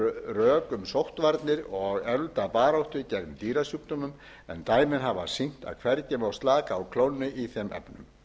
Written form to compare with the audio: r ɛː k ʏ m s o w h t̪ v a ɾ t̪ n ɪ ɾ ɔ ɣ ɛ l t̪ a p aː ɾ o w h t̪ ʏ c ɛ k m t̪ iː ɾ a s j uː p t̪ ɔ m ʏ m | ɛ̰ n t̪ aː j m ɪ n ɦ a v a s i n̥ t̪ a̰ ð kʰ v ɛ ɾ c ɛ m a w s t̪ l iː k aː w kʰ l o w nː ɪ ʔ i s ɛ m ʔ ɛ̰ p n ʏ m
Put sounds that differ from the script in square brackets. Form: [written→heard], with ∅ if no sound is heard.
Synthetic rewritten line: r [ɛː→œː] k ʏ m s o w h t̪ v a ɾ t̪ n ɪ ɾ ɔ ɣ ɛ l t̪ a p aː ɾ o w h t̪ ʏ c ɛ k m t̪ iː ɾ a s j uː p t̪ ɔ m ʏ m | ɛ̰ n t̪ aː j m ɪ n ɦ a v a s i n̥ t̪ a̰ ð kʰ v ɛ ɾ c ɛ m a w s t̪ l [iː→aː] k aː w kʰ l o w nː ɪ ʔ i [s→θ] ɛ m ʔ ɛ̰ p n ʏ m

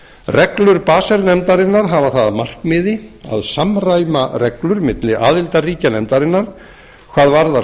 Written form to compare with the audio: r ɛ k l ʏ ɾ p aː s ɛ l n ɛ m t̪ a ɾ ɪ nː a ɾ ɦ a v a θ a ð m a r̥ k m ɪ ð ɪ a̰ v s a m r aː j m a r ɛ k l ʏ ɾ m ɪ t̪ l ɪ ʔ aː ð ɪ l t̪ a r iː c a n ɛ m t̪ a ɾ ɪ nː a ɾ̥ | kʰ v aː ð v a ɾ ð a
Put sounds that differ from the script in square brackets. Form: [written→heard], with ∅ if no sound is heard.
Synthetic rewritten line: r ɛ k l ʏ ɾ p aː s ɛ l n ɛ m t̪ a ɾ ɪ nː a ɾ ɦ a v a θ a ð m a r̥ k m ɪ ð ɪ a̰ [v→ð] s a m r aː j m a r ɛ k l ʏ ɾ m ɪ t̪ l ɪ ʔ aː ð ɪ l t̪ a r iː c a n ɛ m t̪ a ɾ ɪ nː a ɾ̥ | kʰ v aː ð v a ɾ ð a

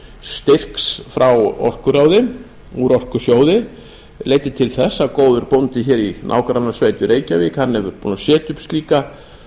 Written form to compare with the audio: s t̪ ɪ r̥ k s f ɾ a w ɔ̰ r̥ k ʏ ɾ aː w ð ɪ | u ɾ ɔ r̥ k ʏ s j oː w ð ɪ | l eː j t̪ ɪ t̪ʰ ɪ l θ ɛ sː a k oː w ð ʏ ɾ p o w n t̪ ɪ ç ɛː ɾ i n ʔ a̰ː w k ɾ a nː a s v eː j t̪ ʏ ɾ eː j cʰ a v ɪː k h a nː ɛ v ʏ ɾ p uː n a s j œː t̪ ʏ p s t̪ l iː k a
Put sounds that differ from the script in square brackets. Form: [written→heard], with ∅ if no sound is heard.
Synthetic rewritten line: s t̪ ɪ r̥ k s f ɾ a w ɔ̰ r̥ k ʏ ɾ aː w ð ɪ | u ɾ ɔ r̥ k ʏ s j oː w ð ɪ | l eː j t̪ ɪ t̪ʰ ɪ l θ ɛ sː a k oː w ð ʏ ɾ p o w n t̪ ɪ ç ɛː ɾ i n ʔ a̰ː w k ɾ a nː a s v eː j t̪ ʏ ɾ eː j [cʰ→c] a v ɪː k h a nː ɛ v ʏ ɾ p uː n a s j [œː→ɛː] t̪ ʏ p s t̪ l iː k a

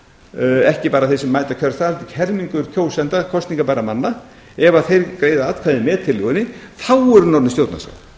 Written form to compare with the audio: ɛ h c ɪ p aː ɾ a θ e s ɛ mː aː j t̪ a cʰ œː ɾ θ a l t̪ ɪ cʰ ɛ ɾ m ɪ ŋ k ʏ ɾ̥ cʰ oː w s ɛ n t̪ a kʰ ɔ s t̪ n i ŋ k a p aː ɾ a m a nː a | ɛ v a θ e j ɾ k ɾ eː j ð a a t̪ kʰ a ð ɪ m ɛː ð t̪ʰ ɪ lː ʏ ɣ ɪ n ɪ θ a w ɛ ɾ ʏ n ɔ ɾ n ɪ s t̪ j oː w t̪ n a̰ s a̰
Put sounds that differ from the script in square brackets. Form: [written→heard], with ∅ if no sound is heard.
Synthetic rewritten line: ɛ h c ɪ p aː ɾ a θ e s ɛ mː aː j t̪ a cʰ [œː→œ] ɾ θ a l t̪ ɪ cʰ ɛ ɾ m [ɪ→i] ŋ k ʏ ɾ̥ cʰ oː w s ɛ n t̪ a kʰ ɔ s t̪ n i ŋ k a p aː ɾ a m a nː a | ɛ v a θ e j ɾ k ɾ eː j ð a a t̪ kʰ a ð ɪ m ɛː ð t̪ʰ ɪ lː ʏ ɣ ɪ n ɪ θ a w ɛ ɾ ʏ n ɔ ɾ n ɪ s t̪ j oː w t̪ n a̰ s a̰

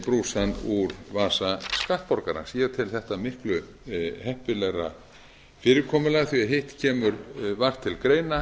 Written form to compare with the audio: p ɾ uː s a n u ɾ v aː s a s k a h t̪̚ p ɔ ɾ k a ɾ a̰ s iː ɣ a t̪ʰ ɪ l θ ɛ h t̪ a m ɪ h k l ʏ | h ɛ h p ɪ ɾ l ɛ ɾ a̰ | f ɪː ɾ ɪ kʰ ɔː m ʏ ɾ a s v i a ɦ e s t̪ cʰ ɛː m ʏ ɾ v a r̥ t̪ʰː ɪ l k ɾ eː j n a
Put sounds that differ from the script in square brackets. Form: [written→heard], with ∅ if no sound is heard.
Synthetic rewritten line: p ɾ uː s a n u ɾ v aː s a s k a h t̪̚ p ɔ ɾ k a ɾ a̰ s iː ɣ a t̪ʰ ɪ l θ ɛ h t̪ a m ɪ h k l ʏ | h ɛ h p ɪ [ɾ→∅] l ɛ ɾ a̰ | f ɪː ɾ ɪ kʰ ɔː m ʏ [ɾ→l] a [s→θ] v i a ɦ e [s→h] t̪ cʰ ɛː m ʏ ɾ v a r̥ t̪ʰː ɪ l k ɾ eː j n a

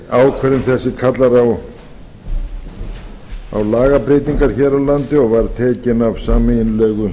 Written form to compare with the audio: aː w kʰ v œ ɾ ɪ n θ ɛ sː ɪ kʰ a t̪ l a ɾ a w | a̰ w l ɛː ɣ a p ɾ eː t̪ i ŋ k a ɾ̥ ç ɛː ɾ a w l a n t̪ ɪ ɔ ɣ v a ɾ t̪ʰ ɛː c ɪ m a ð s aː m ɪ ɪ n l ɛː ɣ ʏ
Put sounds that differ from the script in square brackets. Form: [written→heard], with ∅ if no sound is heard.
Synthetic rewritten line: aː w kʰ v [œ→ɛ] ɾ ɪ n θ ɛ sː ɪ kʰ a t̪ l a ɾ a w | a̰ w l [ɛː→aː] ɣ a p ɾ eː t̪ i ŋ k a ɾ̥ ç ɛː ɾ a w l a n t̪ ɪ ɔ ɣ v a ɾ t̪ʰ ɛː c ɪ [m→n] a [ð→v] s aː m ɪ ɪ n l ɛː ɣ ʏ

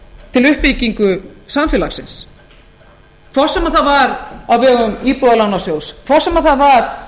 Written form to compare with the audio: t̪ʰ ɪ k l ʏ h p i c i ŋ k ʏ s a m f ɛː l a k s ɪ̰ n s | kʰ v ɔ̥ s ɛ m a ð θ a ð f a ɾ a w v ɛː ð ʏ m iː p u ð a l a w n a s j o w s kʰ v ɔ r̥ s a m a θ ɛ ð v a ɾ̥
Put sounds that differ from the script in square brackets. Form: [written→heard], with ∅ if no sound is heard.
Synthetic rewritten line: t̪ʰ ɪ [k→∅] l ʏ h p i c i ŋ k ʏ s a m f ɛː l a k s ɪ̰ n s | kʰ v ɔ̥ s ɛ m a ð θ a ð [f→v] a ɾ a w v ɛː [ð→ɣ] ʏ m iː p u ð a l a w n a s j o w s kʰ v ɔ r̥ s [a→ɛ] m a θ [ɛ→a] ð v a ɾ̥

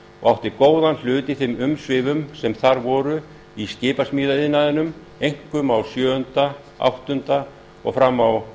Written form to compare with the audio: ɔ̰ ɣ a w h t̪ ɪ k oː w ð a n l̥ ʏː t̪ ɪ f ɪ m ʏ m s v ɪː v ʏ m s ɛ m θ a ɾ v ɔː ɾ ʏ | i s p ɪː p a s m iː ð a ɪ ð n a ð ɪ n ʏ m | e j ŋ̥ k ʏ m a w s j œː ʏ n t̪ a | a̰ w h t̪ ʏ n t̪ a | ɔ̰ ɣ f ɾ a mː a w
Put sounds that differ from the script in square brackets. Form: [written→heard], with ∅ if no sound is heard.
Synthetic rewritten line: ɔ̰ ɣ a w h t̪ ɪ k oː w ð a n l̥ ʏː t̪ ɪ [f→θ] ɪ m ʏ m s v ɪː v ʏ m s ɛ m θ a ɾ v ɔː ɾ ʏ | i s [p→c] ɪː p a s m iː ð a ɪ ð n a ð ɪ n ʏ m | e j ŋ̥ k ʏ m a w s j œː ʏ n t̪ a | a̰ w h t̪ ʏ n t̪ a | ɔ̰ ɣ f ɾ a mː a w

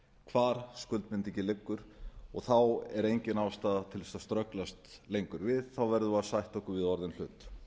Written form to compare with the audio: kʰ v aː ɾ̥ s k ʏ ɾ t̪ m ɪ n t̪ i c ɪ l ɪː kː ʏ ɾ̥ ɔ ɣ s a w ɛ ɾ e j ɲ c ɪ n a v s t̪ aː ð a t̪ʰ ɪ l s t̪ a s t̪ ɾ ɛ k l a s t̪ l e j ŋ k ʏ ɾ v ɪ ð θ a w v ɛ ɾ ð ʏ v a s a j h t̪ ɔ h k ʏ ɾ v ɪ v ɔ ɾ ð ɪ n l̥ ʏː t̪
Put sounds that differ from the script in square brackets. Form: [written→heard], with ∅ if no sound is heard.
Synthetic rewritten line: kʰ v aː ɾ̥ s k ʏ [ɾ→l] t̪ m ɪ n t̪ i c ɪ l [ɪː→ɪ] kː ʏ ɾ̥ ɔ ɣ [s→θ] a w ɛ ɾ e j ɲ c ɪ n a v s t̪ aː ð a t̪ʰ ɪ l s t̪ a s t̪ ɾ [ɛ→œ] k l a s t̪ l e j ŋ k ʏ ɾ v ɪ ð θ a w v ɛ ɾ ð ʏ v a s a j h t̪ ɔ h k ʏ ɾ v ɪ [v→ð] ɔ ɾ ð ɪ n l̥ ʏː t̪

